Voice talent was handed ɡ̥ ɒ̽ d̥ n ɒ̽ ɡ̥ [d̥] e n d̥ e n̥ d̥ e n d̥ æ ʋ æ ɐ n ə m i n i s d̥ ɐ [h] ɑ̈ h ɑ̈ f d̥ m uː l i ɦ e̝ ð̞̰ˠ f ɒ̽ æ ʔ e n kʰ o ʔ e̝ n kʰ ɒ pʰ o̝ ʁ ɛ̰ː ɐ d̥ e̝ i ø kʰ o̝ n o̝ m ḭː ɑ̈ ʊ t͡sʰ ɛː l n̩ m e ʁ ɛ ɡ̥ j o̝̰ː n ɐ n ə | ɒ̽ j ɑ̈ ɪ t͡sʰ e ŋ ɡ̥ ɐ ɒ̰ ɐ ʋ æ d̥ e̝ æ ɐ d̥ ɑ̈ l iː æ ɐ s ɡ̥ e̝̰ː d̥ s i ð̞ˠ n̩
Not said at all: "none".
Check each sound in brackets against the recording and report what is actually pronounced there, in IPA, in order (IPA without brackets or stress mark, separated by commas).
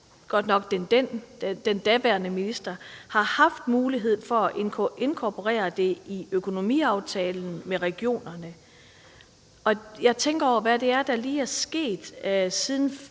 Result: d̥, h